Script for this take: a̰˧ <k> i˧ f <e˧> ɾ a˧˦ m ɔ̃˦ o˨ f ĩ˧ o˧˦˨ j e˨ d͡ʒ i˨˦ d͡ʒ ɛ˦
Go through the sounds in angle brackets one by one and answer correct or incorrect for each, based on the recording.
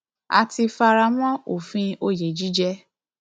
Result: incorrect: t, incorrect: a˧

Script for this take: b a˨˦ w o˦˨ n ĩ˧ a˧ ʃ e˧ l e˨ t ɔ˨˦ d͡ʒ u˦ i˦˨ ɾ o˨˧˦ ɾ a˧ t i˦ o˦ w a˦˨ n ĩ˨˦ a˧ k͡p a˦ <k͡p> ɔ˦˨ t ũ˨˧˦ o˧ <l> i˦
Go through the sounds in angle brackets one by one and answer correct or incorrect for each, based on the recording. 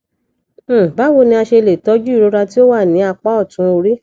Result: incorrect: none, incorrect: ɾ

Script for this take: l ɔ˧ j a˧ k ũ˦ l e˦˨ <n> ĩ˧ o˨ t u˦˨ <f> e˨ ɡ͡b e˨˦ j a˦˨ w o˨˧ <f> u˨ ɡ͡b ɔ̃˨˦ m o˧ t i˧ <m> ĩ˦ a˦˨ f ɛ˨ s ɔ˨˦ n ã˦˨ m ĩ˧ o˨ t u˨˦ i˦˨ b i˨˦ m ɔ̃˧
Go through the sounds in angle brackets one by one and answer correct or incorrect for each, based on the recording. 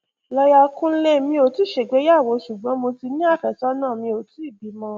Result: incorrect: m, incorrect: ʃ, incorrect: ʃ, incorrect: n

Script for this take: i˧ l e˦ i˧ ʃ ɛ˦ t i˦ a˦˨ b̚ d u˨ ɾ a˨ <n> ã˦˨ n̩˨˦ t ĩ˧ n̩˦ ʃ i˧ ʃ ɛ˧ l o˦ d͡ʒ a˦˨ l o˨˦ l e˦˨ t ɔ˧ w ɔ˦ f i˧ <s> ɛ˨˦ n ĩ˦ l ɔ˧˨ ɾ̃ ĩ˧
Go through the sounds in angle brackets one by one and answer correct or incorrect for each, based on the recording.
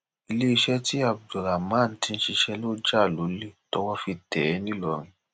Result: incorrect: m, incorrect: t

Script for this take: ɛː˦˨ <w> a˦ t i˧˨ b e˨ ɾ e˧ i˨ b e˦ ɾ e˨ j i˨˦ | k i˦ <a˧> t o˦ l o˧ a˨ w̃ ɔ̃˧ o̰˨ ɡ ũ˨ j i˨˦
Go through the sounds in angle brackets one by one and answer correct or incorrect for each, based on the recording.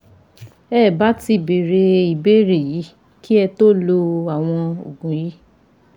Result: incorrect: b, incorrect: ɛ˧

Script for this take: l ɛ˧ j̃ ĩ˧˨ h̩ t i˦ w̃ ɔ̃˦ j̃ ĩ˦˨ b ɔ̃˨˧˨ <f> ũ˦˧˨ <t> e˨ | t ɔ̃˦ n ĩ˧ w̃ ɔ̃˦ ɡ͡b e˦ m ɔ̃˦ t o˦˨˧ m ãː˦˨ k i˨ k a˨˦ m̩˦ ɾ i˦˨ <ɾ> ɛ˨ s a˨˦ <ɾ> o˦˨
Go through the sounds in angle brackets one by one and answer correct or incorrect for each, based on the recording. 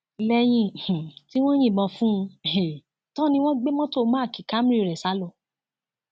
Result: correct, incorrect: none, correct, incorrect: l

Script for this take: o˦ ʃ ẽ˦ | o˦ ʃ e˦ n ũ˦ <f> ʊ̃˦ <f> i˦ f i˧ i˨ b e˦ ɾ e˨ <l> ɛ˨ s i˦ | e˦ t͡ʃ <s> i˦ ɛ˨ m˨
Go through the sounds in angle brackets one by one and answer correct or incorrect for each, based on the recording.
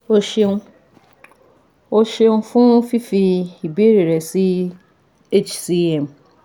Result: correct, correct, incorrect: ɾ, correct

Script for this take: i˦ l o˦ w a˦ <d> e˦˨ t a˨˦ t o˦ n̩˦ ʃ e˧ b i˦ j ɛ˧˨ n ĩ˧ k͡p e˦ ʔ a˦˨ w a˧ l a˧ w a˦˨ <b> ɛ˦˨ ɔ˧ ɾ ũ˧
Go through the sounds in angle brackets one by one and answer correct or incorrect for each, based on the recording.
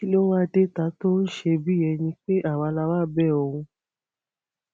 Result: correct, correct

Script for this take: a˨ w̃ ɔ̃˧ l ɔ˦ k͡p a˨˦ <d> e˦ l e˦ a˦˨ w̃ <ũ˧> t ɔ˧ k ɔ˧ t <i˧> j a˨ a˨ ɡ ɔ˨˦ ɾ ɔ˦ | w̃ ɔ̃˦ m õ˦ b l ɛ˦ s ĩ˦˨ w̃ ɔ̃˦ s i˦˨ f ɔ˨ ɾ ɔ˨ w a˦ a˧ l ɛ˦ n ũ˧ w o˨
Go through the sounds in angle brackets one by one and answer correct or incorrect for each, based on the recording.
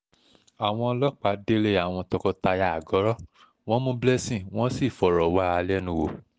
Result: correct, incorrect: ɔ̃˧, incorrect: a˧

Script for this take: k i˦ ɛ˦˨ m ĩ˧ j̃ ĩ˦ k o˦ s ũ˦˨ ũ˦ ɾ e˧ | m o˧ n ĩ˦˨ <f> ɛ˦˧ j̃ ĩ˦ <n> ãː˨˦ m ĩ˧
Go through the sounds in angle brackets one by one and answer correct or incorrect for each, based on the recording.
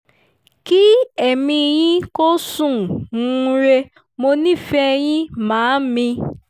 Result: correct, incorrect: m

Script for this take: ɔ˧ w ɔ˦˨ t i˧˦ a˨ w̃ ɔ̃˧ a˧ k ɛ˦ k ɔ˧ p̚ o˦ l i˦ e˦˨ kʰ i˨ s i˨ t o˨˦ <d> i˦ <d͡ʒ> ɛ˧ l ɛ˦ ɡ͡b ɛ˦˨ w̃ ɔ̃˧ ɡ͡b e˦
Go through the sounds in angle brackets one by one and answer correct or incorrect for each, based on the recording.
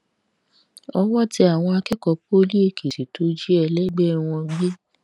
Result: incorrect: d͡ʒ, incorrect: none

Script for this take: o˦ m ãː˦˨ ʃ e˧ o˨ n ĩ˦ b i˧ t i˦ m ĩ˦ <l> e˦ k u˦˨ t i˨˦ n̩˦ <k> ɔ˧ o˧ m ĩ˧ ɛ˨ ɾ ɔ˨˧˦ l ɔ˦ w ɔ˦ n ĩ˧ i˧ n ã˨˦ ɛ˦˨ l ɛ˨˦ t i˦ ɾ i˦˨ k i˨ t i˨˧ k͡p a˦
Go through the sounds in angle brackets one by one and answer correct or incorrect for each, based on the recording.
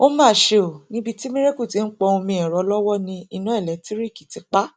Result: incorrect: ɾ, incorrect: k͡p

